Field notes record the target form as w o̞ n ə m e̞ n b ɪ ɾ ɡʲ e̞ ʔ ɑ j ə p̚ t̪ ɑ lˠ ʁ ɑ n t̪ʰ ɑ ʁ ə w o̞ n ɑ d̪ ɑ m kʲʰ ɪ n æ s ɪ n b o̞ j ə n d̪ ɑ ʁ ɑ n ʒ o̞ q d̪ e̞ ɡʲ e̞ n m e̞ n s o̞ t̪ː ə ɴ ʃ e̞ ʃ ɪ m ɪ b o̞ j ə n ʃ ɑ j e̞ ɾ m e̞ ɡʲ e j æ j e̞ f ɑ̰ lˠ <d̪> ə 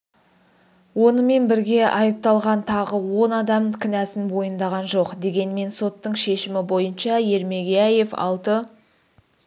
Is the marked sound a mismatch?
yes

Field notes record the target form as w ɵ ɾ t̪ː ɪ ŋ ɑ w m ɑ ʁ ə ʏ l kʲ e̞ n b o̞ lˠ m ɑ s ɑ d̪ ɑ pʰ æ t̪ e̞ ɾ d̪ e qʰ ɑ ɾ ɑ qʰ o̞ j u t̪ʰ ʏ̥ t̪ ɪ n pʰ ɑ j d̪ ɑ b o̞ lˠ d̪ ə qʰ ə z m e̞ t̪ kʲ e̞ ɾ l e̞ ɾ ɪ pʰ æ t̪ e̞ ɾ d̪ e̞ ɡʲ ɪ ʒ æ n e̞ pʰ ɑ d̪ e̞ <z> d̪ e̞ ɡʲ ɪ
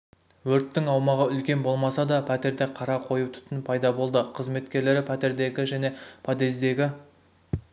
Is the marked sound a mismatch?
no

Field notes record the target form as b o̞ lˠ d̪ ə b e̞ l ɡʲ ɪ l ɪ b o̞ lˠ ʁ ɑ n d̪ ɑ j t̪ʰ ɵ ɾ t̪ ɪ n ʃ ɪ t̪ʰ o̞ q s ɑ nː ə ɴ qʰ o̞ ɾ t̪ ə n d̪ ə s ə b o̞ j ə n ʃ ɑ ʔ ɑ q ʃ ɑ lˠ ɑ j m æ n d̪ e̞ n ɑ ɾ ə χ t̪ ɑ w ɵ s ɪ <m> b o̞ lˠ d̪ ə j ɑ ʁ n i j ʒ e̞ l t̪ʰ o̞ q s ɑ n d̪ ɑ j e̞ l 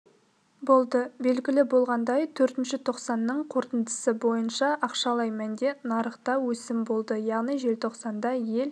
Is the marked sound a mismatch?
no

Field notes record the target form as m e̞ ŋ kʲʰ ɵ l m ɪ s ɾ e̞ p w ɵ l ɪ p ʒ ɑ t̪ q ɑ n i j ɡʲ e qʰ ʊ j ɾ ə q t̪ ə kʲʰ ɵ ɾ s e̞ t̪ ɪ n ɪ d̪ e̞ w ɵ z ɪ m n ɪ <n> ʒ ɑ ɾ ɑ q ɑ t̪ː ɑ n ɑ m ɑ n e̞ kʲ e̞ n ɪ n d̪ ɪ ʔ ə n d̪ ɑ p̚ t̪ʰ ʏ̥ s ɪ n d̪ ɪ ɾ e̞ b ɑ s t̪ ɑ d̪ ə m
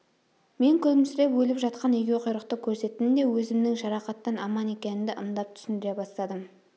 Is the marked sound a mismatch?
yes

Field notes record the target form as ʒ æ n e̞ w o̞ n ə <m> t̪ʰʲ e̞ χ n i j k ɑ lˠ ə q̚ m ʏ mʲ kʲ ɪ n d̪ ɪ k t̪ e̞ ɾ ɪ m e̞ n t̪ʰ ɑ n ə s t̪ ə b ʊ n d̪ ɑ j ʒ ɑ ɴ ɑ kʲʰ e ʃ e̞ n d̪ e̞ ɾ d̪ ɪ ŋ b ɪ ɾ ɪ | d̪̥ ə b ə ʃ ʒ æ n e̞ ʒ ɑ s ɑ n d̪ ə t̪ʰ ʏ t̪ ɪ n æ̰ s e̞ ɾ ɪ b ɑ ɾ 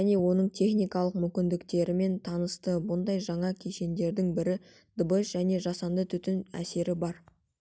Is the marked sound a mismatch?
yes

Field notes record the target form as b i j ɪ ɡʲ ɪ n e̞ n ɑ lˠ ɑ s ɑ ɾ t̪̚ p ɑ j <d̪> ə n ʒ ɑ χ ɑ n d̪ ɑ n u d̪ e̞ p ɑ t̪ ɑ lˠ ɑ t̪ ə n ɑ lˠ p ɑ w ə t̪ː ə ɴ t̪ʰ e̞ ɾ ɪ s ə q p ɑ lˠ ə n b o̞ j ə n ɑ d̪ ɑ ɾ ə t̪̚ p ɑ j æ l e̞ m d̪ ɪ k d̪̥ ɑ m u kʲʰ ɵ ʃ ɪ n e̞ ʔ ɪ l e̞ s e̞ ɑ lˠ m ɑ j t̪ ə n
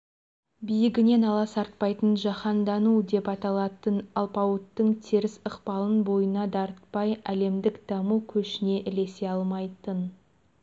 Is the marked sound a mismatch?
yes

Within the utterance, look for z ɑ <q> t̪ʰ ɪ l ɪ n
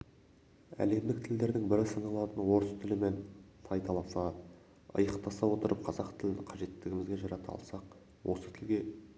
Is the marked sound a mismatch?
no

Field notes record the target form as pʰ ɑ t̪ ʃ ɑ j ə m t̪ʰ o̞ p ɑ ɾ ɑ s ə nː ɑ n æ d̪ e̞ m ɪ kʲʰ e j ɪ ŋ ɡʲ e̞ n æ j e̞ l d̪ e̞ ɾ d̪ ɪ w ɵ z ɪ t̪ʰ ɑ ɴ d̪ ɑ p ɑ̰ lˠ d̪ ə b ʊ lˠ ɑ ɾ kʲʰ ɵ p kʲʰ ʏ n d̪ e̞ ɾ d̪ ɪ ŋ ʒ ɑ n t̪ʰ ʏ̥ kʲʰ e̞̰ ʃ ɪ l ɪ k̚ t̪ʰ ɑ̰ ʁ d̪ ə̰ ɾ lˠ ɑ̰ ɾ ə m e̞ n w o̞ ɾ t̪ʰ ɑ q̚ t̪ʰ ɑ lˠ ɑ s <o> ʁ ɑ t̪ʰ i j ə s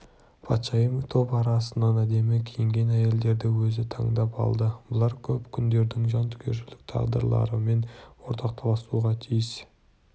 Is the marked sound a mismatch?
yes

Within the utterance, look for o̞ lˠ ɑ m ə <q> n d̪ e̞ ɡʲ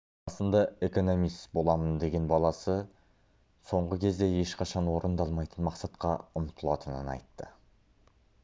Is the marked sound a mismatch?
yes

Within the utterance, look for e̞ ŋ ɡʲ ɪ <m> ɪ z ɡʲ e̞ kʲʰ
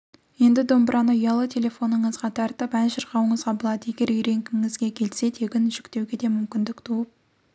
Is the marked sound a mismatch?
yes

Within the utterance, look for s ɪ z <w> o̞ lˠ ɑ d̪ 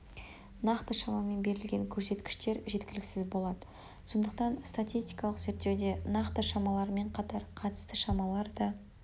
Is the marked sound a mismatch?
yes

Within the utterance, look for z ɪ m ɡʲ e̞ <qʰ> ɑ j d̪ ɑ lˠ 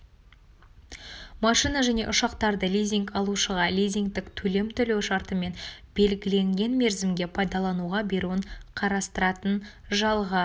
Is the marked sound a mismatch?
yes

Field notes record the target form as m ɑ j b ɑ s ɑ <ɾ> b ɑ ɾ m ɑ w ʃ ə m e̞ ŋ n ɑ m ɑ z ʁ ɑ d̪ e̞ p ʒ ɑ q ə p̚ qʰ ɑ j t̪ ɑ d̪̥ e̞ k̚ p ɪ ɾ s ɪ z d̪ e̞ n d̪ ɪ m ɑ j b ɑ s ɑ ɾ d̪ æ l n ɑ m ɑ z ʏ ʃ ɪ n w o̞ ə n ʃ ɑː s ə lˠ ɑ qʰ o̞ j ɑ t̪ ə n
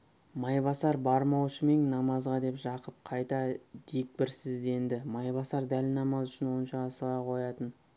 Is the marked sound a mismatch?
no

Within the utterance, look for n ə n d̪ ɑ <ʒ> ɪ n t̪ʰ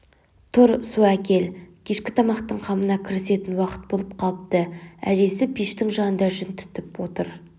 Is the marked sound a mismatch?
no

